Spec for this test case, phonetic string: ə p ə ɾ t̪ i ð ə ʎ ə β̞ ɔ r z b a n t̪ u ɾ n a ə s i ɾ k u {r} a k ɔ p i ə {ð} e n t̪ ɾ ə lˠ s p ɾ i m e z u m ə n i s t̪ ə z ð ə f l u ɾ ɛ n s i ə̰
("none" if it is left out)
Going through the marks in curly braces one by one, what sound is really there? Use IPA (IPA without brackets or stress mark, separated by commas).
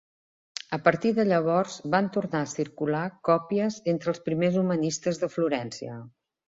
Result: l, z